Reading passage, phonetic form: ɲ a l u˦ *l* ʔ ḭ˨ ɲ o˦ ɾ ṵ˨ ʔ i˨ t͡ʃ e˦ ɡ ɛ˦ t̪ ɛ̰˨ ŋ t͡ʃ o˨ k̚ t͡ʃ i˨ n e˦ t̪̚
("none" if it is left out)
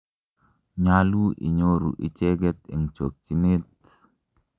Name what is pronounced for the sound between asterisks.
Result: none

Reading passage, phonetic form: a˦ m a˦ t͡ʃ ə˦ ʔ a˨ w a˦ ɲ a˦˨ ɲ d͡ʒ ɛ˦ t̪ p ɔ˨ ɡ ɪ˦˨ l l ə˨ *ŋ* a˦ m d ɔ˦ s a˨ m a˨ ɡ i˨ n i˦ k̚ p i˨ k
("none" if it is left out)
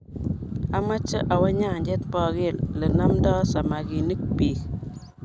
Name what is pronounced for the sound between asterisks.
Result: n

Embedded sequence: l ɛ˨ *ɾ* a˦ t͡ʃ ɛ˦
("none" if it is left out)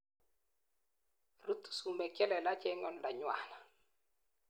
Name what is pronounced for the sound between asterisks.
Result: l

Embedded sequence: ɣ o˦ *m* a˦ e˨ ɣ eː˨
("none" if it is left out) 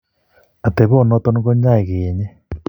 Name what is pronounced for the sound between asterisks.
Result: ɲ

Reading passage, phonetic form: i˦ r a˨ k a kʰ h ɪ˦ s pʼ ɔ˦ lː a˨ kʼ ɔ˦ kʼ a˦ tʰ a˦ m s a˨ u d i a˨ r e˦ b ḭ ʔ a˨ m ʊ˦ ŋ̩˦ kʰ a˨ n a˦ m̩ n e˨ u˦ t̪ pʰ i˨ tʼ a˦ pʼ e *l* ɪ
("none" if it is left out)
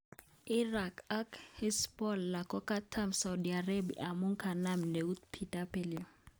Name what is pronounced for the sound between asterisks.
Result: l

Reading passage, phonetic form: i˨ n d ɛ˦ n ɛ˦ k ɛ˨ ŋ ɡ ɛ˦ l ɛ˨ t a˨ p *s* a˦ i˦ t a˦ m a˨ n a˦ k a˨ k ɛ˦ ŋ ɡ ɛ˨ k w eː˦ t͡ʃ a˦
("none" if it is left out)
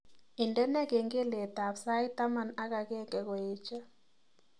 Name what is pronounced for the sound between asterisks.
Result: s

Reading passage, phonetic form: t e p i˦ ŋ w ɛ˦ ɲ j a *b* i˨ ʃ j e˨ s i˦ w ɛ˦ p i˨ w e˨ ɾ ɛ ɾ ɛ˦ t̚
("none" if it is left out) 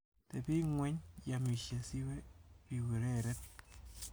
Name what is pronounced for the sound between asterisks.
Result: m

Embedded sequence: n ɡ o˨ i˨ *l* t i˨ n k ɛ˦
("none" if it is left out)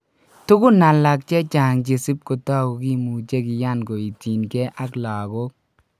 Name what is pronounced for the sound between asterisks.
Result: none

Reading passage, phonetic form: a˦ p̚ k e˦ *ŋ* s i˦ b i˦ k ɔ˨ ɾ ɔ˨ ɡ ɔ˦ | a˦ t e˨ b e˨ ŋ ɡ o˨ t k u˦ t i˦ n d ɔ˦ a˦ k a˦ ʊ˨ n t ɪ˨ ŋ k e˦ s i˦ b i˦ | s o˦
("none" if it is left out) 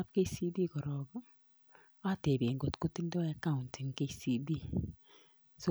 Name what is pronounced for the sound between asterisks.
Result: none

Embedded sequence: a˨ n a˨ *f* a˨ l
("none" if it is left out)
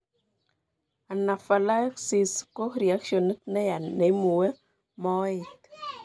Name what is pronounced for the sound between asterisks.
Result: f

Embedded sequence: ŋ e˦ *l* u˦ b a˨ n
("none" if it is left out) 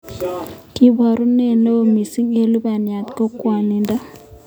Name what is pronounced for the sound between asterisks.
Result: l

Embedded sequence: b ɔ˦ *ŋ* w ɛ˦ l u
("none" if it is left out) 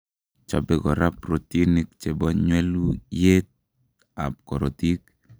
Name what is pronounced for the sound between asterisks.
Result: ɲ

